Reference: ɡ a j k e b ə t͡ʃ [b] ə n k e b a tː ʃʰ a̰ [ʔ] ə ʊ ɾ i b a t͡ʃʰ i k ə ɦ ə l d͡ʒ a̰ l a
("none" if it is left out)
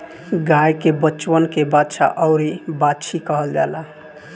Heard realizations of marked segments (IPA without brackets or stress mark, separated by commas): w, ʔ